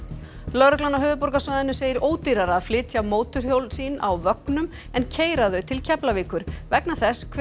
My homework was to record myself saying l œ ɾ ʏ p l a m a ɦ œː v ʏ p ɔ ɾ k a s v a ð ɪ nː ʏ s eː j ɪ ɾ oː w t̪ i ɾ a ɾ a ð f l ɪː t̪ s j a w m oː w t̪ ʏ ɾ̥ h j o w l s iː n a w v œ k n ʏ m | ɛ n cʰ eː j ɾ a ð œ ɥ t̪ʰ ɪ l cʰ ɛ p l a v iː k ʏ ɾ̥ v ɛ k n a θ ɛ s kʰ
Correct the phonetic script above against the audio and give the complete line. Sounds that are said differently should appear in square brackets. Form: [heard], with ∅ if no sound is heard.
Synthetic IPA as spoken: l œ ɾ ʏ [k] l a [n] a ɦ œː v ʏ p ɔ ɾ k a s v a ð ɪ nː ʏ s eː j ɪ ɾ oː w t̪ i ɾ a ɾ a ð f l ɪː t̪ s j a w m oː w t̪ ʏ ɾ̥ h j o w l s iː n a w v œ k n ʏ m | ɛ n cʰ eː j ɾ a ð œ ɥ t̪ʰ ɪ l cʰ ɛ p l a v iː k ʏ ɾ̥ v ɛ k n a θ ɛ s kʰ